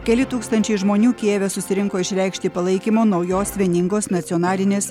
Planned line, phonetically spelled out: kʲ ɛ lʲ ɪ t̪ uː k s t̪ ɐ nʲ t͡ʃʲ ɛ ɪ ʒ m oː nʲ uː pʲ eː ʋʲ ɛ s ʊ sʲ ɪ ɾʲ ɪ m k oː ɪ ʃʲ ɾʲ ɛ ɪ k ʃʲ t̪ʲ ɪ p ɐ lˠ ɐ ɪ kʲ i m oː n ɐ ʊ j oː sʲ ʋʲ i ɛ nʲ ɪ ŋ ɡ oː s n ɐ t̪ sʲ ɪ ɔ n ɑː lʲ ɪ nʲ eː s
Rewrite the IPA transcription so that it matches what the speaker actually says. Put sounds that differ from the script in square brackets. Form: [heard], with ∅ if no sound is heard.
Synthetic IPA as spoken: kʲ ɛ lʲ ɪ t̪ uː k s t̪ ɐ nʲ t͡ʃʲ ɛ ɪ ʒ m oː nʲ uː [kʲ] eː ʋʲ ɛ s ʊ sʲ ɪ ɾʲ ɪ [ŋ] k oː ɪ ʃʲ ɾʲ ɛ ɪ k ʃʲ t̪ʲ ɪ p ɐ lˠ ɐ ɪ kʲ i m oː n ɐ ʊ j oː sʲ ʋʲ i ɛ nʲ ɪ ŋ ɡ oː s n ɐ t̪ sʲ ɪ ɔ n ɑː lʲ ɪ nʲ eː s